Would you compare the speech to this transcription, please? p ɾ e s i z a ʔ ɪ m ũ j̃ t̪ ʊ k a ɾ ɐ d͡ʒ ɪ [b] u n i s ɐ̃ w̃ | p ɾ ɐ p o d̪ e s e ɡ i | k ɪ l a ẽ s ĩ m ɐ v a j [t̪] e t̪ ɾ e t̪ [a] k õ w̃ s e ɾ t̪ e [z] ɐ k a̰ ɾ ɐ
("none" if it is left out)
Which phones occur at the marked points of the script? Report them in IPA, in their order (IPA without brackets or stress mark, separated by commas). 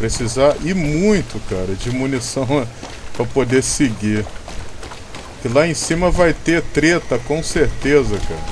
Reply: m, t̪, ɐ, z